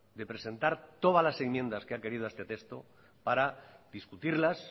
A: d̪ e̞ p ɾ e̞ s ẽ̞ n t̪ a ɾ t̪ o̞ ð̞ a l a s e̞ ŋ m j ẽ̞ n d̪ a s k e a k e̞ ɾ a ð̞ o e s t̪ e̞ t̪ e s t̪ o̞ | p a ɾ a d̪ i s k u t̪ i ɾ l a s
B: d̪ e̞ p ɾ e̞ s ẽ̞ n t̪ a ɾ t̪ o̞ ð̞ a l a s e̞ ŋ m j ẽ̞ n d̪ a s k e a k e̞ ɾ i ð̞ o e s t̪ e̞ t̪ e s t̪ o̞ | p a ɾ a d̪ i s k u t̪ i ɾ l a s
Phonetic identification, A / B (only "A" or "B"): B